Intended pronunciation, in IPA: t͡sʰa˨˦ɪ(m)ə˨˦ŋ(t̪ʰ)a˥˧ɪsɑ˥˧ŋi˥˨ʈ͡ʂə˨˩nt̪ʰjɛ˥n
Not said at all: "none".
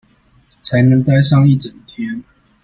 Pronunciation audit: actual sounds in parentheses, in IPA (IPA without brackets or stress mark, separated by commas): n, t̪